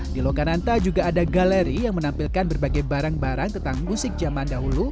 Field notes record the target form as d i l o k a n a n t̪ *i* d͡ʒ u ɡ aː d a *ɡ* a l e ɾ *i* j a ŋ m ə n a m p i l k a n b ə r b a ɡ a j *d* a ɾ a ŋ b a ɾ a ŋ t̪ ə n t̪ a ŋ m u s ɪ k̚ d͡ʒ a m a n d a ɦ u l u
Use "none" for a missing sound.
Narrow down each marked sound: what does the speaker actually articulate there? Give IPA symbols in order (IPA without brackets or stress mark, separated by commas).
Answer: a, ɡ, i, b